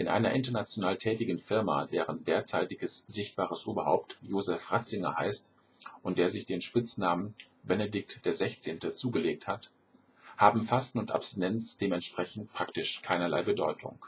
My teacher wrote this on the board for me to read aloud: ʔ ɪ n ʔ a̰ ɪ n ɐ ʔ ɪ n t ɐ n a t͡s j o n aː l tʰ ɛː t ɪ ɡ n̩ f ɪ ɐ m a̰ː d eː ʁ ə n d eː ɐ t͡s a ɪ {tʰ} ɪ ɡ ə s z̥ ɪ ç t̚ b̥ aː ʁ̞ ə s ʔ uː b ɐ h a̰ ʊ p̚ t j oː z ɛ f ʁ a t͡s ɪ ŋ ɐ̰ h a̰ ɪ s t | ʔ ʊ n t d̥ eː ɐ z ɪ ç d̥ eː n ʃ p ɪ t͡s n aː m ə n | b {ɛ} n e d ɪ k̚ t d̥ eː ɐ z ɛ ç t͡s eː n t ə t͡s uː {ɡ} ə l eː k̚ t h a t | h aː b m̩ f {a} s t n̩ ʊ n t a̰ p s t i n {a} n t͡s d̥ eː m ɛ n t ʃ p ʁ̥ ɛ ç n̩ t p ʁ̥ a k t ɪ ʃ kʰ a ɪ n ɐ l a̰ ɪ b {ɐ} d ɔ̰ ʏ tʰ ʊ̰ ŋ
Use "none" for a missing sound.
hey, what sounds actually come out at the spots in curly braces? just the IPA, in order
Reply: t, ɛ, ɡ, a, ɛ, ə

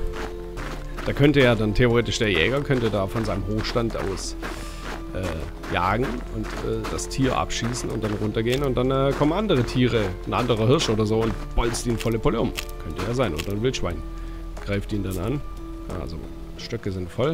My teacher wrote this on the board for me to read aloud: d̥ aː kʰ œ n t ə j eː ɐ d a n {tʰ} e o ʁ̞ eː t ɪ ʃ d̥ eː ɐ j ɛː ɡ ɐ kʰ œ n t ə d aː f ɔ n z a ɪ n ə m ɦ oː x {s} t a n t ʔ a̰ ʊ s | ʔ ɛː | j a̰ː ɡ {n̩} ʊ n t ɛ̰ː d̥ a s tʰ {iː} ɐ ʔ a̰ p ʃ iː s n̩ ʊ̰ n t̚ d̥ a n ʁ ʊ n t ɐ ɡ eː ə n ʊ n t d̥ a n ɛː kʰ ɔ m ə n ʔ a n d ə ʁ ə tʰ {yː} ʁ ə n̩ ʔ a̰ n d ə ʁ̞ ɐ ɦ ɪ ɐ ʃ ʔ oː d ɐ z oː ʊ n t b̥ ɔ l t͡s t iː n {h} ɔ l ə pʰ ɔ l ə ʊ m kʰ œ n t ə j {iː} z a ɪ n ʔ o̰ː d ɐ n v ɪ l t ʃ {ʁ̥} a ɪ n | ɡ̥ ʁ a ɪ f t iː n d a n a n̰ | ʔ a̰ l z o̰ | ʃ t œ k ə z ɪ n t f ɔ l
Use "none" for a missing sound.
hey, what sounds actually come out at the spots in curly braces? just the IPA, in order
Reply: tʰ, ʃ, ŋ̩, iː, iː, f, aː, v̥

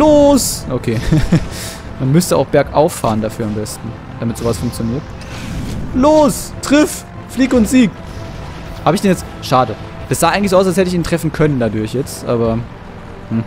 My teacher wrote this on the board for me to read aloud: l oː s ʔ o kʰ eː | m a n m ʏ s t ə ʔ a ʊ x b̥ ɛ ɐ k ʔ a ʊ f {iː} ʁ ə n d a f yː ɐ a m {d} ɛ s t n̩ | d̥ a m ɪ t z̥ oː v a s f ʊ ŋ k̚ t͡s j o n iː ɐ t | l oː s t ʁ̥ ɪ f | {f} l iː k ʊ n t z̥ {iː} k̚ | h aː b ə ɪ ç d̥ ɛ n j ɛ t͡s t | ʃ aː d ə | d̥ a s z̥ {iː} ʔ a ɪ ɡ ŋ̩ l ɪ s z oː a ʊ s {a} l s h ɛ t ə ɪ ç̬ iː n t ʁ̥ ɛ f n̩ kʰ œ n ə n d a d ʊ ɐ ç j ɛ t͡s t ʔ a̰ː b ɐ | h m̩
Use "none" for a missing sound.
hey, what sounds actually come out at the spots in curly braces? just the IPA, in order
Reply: aː, b, f, iː, aː, a

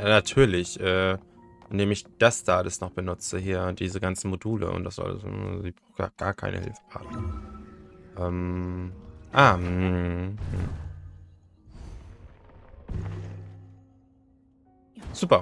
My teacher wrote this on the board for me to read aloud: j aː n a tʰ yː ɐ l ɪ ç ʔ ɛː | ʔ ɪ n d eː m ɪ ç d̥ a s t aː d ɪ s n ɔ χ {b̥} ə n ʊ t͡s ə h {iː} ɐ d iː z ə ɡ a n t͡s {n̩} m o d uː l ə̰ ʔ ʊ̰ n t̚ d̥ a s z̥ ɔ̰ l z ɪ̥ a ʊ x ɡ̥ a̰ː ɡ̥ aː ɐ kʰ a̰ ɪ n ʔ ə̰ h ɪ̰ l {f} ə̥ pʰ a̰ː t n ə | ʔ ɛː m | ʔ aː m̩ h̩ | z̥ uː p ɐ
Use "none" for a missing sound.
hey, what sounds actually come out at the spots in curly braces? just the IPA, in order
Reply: b̥, iː, n̩, f

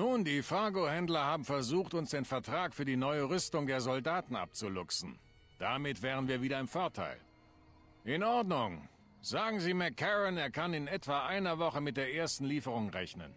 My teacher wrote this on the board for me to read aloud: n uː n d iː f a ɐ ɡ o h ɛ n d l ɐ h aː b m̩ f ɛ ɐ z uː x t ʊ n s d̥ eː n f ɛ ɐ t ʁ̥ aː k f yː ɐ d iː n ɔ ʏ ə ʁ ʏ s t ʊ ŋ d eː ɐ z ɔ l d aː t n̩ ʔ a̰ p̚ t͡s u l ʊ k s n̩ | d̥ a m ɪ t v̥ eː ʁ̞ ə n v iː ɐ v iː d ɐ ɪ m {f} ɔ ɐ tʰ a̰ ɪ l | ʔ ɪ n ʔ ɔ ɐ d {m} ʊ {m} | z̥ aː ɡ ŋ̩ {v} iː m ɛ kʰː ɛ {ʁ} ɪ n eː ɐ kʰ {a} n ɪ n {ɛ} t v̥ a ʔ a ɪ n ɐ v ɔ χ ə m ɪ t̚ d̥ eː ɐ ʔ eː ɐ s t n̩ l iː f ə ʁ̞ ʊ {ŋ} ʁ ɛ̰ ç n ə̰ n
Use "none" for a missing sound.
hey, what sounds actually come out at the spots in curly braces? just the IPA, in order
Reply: f, n, ŋ, z, ʁ, a, ɛ, ŋ

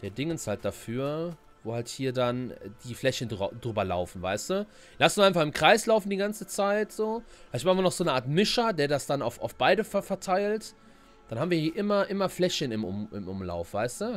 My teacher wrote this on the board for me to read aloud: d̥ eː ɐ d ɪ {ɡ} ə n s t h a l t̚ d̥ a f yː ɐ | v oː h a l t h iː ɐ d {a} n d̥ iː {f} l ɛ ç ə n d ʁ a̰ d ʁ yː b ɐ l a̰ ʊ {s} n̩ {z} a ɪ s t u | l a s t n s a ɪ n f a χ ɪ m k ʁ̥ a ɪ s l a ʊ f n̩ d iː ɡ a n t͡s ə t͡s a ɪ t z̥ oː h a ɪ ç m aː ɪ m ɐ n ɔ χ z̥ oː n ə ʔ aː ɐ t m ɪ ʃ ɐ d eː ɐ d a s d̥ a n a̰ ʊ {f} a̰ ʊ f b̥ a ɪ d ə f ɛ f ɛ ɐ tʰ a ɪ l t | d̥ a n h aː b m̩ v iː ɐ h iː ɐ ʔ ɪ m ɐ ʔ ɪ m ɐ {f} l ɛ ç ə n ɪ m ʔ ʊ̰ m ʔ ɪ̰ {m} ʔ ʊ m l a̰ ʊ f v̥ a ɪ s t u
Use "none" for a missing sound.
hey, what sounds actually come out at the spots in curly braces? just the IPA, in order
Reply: ŋ, a, f, f, v, f, f, m

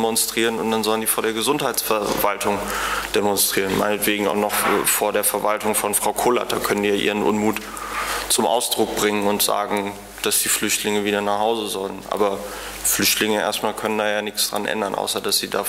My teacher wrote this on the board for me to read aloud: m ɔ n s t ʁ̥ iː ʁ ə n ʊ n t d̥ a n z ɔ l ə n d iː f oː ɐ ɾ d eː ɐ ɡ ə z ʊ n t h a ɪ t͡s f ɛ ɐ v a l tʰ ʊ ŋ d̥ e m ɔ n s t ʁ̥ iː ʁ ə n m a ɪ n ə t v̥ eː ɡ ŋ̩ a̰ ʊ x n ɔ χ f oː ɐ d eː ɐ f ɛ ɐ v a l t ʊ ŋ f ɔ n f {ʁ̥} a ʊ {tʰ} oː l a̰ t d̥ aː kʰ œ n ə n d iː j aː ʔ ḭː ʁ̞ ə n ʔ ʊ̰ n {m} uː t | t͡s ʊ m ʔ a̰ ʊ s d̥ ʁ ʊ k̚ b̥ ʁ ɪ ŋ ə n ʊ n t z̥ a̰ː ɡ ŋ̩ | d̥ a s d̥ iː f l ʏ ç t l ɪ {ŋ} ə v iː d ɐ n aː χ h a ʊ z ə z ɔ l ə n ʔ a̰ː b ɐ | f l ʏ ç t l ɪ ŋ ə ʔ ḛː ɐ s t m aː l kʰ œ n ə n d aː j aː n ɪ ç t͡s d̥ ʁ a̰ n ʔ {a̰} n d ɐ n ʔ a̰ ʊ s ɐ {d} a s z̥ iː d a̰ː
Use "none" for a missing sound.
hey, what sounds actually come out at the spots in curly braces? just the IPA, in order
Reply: ʁ̥, kʰ, m, ŋ, ɛ̰, d

